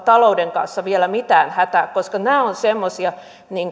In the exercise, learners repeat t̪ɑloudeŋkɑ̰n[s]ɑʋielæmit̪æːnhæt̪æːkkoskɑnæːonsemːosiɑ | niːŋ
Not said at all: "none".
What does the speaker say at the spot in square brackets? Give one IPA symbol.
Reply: sː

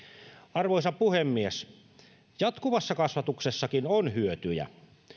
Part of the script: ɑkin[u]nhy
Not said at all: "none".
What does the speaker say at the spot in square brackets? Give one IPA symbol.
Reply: o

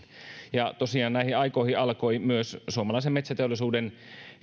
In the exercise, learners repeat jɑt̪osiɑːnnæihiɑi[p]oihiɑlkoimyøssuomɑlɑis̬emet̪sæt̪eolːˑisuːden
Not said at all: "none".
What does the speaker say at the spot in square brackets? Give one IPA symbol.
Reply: k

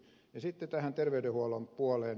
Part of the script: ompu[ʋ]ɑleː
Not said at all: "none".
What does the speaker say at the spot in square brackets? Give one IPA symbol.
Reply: none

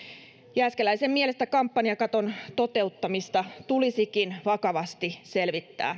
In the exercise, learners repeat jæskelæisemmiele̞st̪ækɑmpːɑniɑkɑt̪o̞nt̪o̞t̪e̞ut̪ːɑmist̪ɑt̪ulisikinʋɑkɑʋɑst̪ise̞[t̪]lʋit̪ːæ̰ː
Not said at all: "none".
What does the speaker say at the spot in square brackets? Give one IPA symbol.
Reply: none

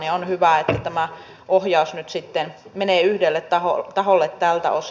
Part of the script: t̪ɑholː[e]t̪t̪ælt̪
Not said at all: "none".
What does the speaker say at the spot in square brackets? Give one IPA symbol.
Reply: e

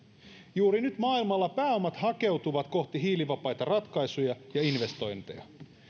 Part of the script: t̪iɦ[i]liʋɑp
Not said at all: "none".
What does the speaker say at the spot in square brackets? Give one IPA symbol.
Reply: iː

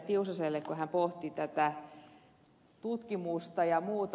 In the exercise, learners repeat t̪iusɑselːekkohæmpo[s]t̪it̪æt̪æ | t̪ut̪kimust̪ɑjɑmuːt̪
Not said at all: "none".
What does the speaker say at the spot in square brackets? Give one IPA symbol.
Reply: h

